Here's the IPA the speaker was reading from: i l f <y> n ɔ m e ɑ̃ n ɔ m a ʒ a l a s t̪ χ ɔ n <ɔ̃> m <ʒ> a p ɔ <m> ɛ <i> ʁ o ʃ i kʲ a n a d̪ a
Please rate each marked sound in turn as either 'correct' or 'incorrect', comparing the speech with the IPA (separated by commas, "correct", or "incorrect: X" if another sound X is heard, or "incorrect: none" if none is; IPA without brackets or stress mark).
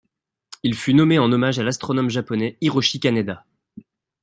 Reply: correct, incorrect: ɔ, correct, incorrect: n, correct